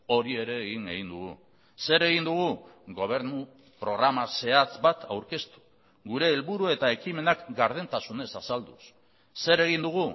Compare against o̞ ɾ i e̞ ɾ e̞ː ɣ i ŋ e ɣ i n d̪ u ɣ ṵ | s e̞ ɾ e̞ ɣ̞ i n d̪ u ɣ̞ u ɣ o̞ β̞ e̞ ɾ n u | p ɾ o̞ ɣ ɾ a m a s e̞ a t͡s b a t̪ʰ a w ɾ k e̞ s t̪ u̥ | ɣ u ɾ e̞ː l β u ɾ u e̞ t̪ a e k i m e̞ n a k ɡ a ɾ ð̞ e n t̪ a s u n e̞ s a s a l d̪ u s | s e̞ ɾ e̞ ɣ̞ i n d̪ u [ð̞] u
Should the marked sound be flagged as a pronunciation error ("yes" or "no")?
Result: yes